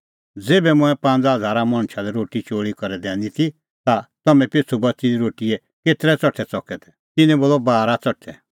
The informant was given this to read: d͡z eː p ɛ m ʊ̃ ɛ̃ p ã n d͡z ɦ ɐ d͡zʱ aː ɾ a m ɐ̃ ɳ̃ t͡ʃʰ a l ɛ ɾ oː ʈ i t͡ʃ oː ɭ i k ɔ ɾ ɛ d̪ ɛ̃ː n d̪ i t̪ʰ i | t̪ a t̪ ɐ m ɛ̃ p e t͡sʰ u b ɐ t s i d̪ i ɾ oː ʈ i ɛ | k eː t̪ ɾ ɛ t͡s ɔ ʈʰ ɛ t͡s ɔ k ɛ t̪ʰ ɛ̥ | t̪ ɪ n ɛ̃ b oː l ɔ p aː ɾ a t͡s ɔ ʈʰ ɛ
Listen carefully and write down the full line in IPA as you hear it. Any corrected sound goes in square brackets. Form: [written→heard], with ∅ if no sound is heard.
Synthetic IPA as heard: d͡z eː [p→b] ɛ m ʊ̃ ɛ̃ p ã n d͡z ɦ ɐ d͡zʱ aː ɾ a m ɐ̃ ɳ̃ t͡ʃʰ a l ɛ ɾ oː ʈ i t͡ʃ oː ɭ i k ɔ ɾ ɛ d̪ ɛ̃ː n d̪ i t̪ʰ i | t̪ a t̪ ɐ m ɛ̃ p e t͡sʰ u b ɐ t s i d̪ i ɾ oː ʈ i ɛ | k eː t̪ ɾ ɛ t͡s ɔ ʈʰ ɛ t͡s ɔ k ɛ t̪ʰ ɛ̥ | t̪ ɪ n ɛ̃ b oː l ɔ [p→b] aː ɾ a t͡s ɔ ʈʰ ɛ